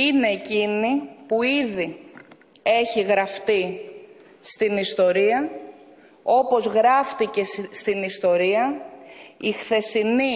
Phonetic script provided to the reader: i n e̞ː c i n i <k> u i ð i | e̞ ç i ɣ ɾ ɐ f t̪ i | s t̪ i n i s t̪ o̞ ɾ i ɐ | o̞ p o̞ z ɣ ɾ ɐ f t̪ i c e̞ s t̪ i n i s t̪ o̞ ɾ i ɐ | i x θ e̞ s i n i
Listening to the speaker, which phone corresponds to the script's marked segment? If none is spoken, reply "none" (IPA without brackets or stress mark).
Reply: p